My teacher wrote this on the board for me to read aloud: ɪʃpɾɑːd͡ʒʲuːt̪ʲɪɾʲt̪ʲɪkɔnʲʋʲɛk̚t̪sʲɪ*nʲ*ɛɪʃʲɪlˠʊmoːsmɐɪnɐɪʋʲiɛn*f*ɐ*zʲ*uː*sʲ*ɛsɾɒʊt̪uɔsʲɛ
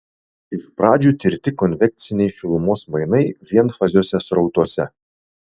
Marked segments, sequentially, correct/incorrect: correct, correct, correct, correct

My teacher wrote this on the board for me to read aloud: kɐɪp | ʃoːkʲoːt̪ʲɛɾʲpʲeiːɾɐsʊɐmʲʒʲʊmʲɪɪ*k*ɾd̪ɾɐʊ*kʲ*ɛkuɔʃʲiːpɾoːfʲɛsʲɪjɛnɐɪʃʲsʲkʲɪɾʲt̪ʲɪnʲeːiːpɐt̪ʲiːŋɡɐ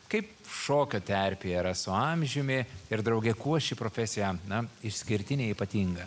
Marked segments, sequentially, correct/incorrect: incorrect: none, incorrect: ɡʲ

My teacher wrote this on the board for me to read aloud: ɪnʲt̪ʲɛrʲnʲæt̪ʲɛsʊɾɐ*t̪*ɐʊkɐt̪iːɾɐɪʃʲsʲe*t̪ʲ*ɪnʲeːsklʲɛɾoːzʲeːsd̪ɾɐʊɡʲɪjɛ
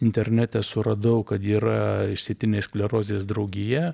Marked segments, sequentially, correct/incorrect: incorrect: d̪, correct

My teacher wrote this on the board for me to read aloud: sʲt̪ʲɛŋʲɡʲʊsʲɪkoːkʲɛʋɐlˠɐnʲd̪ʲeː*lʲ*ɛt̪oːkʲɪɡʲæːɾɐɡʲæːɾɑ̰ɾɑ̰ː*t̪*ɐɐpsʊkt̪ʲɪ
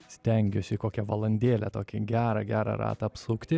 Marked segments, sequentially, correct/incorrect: correct, correct

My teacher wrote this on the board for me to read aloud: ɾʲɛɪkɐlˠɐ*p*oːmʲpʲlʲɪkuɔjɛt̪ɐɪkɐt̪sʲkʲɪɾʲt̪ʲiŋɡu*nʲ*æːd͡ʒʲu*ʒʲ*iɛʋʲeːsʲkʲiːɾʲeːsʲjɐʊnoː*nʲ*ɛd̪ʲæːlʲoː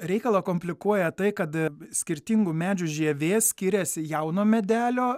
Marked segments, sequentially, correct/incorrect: incorrect: k, incorrect: mʲ, correct, incorrect: mʲ

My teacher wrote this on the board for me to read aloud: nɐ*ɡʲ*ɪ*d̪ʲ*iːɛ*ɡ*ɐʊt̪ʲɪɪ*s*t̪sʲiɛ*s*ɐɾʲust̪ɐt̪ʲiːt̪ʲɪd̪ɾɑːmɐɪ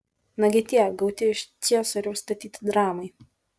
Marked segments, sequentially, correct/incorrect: correct, incorrect: t̪ʲ, correct, incorrect: ʃ, correct

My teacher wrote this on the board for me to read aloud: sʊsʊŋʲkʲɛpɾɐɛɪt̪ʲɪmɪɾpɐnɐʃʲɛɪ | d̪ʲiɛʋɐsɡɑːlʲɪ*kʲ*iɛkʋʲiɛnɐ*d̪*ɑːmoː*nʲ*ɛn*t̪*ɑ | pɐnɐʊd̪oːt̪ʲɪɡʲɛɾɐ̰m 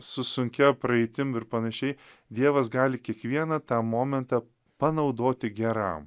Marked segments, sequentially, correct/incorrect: correct, incorrect: t̪, incorrect: mʲ, correct

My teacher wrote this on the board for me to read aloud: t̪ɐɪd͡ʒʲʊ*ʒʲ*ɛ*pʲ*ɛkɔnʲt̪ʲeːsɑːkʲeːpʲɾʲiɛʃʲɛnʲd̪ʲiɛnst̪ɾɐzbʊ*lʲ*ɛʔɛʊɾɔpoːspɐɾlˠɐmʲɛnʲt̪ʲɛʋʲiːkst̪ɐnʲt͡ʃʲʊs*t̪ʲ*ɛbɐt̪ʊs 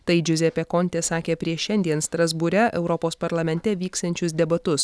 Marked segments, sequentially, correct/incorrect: incorrect: zʲ, correct, incorrect: ɾʲ, incorrect: d̪ʲ

